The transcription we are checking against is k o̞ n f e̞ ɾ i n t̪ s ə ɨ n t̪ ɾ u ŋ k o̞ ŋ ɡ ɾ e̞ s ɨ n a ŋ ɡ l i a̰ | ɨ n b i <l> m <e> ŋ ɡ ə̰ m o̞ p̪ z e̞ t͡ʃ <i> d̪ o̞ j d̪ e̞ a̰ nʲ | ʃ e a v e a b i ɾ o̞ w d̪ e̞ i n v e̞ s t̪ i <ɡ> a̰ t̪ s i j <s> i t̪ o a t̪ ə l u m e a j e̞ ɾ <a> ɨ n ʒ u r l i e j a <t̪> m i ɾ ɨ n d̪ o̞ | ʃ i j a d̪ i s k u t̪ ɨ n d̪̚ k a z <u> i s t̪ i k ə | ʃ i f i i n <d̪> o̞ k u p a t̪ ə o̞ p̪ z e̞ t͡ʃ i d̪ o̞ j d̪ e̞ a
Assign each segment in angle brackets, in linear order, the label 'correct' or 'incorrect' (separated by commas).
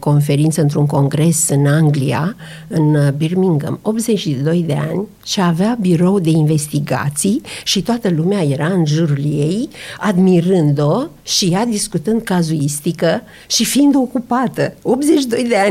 incorrect, incorrect, correct, correct, incorrect, correct, incorrect, correct, correct